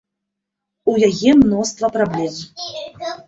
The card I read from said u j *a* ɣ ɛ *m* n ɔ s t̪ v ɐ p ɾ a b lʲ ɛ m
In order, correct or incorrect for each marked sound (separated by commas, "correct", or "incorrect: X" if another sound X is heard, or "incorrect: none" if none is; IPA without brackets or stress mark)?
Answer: correct, correct